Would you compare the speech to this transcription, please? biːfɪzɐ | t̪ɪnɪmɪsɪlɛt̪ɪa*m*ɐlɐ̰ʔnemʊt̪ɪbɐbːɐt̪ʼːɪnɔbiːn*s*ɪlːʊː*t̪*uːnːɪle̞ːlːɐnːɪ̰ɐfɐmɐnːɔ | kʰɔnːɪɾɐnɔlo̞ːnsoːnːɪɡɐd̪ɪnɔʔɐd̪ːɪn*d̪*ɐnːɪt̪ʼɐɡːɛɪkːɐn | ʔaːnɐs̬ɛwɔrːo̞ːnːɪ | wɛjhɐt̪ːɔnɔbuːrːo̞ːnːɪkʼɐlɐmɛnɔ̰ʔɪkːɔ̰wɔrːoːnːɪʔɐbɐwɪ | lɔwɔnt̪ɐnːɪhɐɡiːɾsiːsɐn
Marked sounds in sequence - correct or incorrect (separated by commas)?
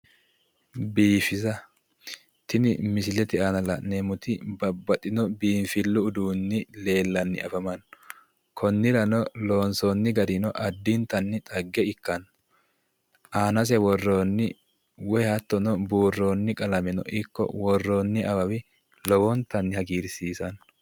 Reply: incorrect, incorrect, incorrect, incorrect